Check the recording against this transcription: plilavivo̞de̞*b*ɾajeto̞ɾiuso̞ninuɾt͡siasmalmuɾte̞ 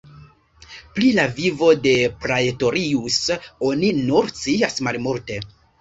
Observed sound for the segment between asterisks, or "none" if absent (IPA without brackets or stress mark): p